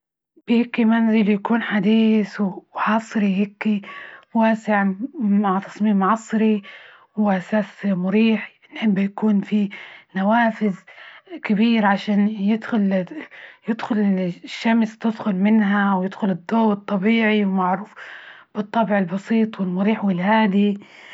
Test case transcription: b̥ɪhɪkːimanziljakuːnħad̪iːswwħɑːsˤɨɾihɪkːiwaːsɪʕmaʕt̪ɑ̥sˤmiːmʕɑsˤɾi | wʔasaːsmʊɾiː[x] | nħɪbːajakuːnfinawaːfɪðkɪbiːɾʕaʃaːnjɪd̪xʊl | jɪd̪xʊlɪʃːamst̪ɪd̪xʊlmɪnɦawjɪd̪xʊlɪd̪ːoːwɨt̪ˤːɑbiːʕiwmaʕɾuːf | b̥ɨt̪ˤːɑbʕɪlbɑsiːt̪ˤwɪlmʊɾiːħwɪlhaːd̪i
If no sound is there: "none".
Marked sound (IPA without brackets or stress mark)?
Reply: ħ